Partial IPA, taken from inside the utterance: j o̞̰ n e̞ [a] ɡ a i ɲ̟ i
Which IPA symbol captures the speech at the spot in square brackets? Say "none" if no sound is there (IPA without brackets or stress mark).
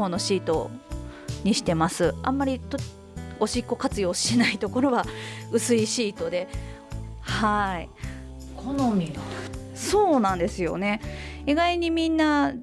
i